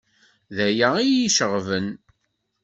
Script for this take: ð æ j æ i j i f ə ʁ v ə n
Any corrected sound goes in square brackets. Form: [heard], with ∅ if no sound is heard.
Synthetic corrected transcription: ð æ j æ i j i [ʃ] ə ʁ v ə n